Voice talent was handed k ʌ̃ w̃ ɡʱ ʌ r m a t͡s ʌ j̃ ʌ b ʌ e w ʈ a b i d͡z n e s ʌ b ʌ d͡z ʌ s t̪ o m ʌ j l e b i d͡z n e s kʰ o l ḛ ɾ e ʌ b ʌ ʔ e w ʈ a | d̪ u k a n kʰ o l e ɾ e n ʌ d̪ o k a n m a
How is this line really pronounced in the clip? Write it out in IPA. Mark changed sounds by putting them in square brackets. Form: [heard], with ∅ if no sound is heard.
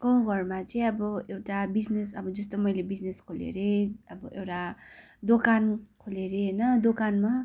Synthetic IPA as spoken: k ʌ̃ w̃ ɡʱ ʌ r m a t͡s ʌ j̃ ʌ b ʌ e w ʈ a b i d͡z n e s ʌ b ʌ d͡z ʌ s t̪ o m ʌ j l e b i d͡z n e s kʰ o l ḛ ɾ e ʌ b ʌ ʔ e w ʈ a | d̪ [o] k a n kʰ o l e ɾ e n ʌ d̪ o k a n m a